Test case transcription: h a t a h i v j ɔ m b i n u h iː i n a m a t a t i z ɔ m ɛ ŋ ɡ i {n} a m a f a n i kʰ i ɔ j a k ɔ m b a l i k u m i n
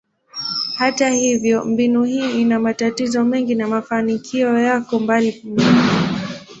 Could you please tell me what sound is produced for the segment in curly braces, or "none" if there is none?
n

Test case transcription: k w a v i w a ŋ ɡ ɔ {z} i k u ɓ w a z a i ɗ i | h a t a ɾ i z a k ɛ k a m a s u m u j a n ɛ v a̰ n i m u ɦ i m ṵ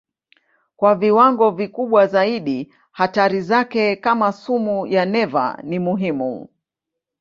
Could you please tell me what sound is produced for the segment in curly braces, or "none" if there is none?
v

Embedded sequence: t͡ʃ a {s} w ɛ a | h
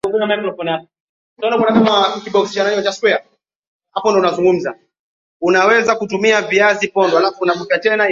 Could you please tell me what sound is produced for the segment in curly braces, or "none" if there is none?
s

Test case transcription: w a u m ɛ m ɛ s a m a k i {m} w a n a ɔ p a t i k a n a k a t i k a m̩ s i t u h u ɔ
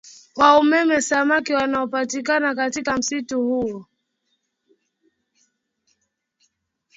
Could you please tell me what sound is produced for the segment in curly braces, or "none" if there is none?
none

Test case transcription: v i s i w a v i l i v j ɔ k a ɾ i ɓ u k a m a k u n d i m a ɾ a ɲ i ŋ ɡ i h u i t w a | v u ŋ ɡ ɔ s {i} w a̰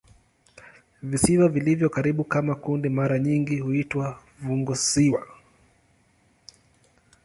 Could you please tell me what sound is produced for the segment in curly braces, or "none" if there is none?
i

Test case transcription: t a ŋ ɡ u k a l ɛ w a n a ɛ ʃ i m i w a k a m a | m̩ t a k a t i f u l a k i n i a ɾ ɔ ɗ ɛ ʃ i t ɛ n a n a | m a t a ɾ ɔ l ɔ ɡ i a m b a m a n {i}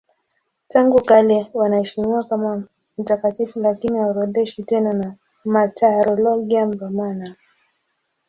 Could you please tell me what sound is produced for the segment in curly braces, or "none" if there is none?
a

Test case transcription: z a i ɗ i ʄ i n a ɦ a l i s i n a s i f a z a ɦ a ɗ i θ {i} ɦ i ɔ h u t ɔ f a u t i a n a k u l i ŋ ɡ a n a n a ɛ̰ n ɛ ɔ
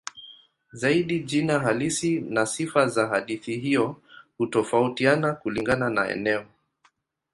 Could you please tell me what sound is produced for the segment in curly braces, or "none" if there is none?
i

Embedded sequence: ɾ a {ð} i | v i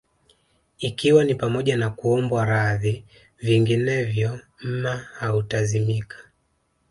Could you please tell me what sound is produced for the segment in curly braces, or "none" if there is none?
ð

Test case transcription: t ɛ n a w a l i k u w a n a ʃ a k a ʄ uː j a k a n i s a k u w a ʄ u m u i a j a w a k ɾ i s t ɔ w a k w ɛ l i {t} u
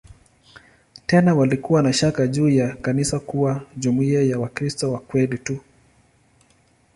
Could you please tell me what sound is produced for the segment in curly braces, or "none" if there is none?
t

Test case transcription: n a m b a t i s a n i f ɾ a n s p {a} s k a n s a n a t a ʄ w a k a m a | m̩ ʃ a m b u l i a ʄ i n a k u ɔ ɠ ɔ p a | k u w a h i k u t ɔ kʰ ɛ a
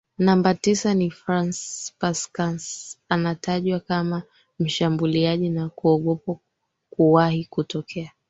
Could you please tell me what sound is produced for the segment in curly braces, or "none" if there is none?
a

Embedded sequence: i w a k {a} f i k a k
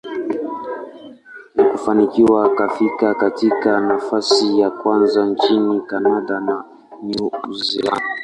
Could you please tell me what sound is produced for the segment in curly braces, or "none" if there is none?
a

